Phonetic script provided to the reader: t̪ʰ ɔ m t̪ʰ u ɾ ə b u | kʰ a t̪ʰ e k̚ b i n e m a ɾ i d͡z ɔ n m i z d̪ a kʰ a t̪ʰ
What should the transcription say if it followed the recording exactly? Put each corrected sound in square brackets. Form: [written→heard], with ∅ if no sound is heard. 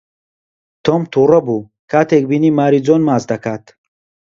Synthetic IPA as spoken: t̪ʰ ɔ m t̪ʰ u ɾ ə b u | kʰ a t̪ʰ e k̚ b i n [e→i] m a ɾ i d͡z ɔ n m [i→a] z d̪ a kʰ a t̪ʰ

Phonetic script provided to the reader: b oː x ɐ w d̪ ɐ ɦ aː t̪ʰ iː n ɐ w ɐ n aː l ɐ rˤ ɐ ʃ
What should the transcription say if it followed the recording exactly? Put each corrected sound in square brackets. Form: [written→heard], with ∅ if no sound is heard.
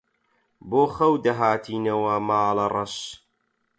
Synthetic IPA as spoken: b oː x ɐ w d̪ ɐ ɦ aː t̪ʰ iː n ɐ w ɐ [n→m] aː l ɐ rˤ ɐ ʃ

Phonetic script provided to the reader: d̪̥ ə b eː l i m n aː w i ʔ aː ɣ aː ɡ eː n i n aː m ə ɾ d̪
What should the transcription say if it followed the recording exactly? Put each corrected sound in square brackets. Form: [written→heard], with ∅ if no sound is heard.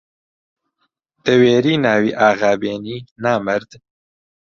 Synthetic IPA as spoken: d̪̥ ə [b→w] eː [l→ɾ] i [m→∅] n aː w i ʔ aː ɣ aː [ɡ→b] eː n i n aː m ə ɾ d̪

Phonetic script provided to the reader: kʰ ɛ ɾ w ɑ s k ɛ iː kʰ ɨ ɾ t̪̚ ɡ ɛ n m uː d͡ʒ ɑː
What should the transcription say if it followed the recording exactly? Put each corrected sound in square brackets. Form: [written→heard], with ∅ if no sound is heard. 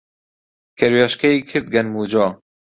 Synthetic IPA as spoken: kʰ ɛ ɾ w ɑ [s→ʃ] k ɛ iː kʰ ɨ ɾ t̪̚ ɡ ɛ n m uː d͡ʒ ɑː

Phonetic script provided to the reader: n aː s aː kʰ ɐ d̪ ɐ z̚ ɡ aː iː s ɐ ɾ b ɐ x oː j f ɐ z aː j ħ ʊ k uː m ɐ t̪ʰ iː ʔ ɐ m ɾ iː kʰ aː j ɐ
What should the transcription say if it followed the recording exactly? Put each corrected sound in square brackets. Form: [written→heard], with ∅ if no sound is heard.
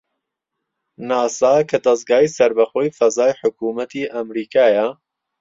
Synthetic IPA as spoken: n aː s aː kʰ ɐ d̪ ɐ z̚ ɡ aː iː s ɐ ɾ b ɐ x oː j f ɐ z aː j ħ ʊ k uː m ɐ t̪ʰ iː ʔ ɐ m ɾ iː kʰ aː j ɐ

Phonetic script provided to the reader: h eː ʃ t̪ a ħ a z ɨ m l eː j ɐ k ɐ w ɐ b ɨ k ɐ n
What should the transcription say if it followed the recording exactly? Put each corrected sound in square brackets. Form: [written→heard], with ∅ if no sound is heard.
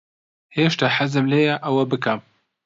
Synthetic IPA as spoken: h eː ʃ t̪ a ħ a z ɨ m l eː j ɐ [k→ʔ] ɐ w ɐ b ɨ k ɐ [n→m]

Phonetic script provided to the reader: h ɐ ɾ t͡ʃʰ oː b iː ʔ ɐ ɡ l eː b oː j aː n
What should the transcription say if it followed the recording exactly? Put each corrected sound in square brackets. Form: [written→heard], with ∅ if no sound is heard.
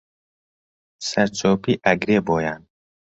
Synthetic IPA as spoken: [h→s] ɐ ɾ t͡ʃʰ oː [b→p] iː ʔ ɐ ɡ [l→ɾ] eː b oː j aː n

